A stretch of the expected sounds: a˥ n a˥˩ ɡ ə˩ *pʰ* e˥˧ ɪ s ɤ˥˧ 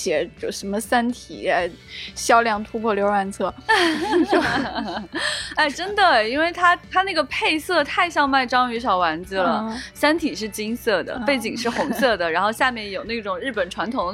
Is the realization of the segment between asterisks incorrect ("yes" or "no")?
no